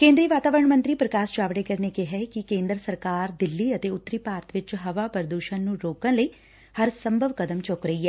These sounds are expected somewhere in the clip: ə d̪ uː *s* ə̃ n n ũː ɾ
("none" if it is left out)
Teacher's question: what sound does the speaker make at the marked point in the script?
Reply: ʃ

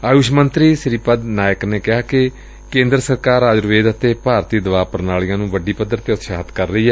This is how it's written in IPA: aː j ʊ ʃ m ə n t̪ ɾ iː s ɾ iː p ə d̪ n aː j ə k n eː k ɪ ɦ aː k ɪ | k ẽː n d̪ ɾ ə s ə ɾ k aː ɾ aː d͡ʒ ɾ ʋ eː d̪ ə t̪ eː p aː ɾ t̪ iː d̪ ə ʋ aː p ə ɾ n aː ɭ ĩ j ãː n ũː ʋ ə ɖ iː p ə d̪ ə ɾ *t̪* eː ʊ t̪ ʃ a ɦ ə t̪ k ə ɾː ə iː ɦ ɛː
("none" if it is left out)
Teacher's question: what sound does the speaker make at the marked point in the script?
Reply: t̪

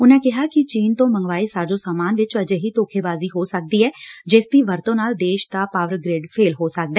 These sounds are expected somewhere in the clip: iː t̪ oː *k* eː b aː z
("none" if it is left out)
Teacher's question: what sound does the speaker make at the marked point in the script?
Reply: kʰ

